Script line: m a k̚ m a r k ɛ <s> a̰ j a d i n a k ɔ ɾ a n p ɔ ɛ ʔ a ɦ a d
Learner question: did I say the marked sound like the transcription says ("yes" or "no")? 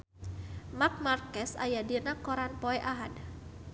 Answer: yes